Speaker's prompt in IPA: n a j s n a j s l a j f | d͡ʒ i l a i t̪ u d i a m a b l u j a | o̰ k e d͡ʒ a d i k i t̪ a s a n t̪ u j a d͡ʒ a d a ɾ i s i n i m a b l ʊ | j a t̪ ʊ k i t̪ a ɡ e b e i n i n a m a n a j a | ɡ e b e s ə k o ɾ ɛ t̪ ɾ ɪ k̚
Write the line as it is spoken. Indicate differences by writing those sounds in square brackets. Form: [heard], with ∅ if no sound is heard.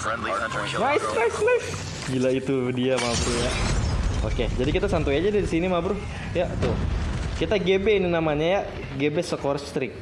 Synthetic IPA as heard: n a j s n a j s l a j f | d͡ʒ i l a i t̪ u d i a m a b [ɾ] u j a | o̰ k e d͡ʒ a d i k i t̪ a s a n t̪ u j a d͡ʒ a d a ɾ i s i n i m a b [ɾ] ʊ | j a t̪ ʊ k i t̪ a ɡ e b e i n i n a m a [ɲ] a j a | ɡ e b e s ə k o ɾ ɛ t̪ ɾ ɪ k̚